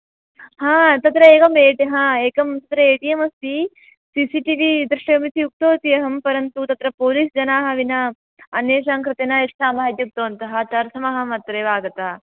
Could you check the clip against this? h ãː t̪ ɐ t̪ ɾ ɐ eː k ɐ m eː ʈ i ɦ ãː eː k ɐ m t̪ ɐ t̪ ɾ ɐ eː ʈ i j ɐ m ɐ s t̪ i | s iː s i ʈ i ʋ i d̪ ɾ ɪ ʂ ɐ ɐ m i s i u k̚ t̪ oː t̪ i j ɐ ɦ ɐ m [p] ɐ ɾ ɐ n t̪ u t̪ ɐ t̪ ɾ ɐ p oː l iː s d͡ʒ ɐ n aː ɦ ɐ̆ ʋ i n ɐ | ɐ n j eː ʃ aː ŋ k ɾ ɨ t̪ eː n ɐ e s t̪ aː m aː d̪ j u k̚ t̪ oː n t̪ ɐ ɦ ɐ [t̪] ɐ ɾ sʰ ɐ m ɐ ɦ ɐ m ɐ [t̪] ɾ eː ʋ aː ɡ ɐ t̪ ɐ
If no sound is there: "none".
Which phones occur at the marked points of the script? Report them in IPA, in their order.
p, t̪, t̪

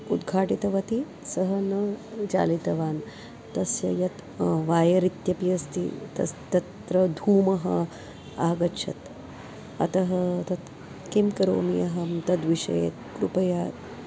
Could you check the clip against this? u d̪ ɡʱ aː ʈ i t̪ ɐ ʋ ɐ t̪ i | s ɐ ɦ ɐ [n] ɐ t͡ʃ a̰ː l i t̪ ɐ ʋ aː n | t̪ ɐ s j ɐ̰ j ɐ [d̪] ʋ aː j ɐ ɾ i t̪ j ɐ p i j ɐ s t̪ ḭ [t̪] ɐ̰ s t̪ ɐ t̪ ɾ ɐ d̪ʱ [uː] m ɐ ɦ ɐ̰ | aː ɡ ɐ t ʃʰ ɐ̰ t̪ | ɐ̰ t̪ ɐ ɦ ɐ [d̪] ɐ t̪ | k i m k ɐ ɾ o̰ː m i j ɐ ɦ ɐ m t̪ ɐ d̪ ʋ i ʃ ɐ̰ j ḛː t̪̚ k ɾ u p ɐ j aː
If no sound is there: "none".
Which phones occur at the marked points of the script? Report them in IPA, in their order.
n, t̪, t̪, uː, t̪

